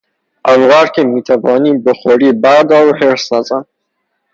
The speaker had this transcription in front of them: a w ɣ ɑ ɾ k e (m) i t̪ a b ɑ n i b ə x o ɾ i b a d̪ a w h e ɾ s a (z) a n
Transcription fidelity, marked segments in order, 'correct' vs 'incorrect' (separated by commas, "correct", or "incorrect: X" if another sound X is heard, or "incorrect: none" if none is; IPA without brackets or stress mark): correct, correct